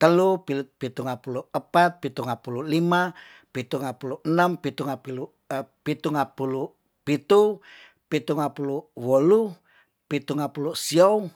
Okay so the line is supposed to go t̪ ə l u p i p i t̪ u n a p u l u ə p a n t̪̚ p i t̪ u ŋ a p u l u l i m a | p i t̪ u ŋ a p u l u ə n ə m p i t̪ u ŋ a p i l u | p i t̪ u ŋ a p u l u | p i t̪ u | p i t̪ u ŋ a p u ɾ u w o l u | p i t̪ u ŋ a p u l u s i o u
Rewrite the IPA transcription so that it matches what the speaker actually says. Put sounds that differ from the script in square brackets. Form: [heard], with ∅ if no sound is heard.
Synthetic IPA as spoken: t̪ ə l u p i p i t̪ u [ŋ] a p u l u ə p a [∅] t̪̚ p i t̪ u ŋ a p u l u l i m a | p i t̪ u ŋ a p u l u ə n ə m p i t̪ u ŋ a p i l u | p i t̪ u ŋ a p u l u | p i t̪ u | p i t̪ u ŋ a p u [l] u w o l u | p i t̪ u ŋ a p u l u s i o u